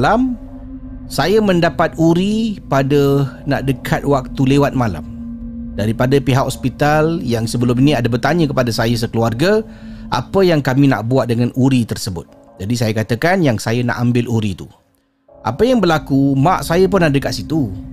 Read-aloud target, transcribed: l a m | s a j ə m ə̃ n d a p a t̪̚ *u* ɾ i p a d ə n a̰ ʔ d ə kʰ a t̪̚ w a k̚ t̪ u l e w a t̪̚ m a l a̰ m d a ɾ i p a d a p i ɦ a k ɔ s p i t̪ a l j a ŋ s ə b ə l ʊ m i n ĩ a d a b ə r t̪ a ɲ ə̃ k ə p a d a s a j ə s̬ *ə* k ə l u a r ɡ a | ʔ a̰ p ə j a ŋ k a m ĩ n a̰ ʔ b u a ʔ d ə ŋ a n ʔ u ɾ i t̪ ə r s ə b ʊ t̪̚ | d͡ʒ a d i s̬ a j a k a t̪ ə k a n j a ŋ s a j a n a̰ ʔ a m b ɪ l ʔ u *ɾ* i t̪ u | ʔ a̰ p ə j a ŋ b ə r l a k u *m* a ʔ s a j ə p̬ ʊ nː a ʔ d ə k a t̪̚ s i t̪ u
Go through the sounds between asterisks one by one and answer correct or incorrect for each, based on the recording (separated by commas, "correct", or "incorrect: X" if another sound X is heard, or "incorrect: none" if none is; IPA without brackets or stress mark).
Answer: correct, correct, correct, correct